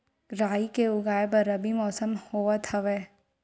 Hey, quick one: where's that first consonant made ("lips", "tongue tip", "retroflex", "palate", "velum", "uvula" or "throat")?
tongue tip